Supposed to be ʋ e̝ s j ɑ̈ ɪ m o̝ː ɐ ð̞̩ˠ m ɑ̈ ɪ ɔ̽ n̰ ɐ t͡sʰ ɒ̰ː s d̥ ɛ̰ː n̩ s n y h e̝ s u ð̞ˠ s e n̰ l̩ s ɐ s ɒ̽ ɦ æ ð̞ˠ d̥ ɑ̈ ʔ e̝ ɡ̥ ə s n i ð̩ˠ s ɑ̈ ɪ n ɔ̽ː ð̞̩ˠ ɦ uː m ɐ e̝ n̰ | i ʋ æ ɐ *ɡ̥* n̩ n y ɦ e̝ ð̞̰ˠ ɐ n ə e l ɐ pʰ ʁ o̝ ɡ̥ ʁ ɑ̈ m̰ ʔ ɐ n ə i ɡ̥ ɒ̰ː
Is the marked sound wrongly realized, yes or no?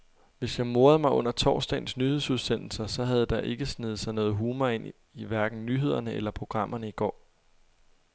no